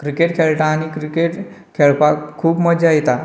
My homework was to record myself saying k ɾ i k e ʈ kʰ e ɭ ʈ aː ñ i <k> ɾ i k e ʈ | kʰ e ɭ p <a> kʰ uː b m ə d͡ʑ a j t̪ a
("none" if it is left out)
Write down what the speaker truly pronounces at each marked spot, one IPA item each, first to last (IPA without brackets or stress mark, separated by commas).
k, a